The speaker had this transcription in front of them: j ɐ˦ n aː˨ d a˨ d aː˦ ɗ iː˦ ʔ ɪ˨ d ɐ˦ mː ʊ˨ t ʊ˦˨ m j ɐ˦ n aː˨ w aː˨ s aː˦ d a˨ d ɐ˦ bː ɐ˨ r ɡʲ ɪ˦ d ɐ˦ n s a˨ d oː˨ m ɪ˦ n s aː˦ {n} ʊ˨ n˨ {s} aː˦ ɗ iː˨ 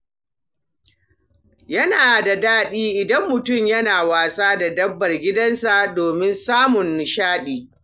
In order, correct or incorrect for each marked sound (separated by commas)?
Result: incorrect, incorrect